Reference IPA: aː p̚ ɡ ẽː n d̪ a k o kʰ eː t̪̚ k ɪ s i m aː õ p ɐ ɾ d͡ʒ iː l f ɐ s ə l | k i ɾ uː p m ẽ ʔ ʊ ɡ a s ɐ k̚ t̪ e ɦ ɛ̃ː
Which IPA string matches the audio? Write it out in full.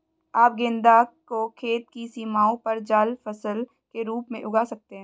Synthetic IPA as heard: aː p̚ ɡ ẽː n d̪ a k o kʰ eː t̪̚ k i s iː m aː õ p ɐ ɾ d͡ʒ aː l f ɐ s ə l | k e ɾ uː p m ẽ ʔ ʊ ɡ a s ɐ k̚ t̪ e ɦ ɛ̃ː